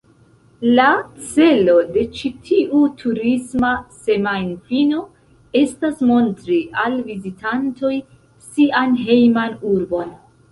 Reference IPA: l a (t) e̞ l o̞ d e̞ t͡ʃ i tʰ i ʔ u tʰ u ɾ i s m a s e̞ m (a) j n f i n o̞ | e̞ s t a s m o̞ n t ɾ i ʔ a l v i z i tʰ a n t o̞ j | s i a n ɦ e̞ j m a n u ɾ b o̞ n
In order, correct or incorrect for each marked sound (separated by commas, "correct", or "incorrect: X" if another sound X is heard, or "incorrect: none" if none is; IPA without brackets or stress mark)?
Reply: incorrect: t͡s, correct